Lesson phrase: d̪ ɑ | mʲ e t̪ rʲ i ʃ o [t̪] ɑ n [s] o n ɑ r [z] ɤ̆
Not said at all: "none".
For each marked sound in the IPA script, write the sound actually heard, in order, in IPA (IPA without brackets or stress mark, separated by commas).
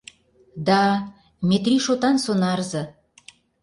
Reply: t̪, s, z